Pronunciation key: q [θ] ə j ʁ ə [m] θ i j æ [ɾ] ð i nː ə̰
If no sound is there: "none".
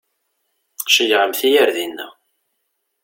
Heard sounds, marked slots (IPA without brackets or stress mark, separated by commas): ʃ, m, ɾ